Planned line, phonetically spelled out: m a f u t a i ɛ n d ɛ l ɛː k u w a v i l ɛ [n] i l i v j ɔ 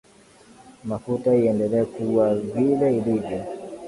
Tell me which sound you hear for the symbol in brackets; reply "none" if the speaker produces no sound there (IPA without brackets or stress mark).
none